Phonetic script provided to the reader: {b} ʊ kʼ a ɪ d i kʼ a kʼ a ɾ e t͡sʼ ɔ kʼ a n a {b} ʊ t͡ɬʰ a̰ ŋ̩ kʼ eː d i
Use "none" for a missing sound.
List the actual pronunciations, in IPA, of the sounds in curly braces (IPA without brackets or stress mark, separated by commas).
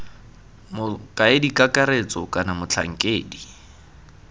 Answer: m, m